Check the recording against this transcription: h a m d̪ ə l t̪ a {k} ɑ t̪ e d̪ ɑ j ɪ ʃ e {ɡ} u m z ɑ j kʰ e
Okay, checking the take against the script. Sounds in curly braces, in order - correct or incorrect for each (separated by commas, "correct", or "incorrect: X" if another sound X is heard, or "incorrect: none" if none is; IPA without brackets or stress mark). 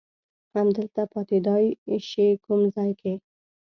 incorrect: p, incorrect: k